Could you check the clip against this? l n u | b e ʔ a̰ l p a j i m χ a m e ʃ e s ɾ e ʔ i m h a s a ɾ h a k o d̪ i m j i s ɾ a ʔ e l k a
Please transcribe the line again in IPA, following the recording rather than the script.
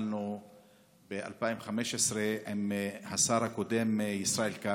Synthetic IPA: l n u | b e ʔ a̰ l p a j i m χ a m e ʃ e s ɾ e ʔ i m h a s a ɾ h a k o d̪ e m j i s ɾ a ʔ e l k a